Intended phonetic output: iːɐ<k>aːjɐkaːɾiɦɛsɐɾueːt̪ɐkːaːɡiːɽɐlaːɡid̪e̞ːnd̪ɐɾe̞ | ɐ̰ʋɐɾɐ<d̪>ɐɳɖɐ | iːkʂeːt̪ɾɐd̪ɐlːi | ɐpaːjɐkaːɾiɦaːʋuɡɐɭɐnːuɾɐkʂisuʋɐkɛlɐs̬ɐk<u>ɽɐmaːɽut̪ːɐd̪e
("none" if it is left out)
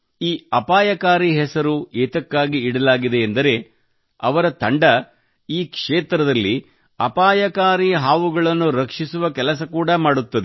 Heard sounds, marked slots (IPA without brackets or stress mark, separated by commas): p, t̪, uː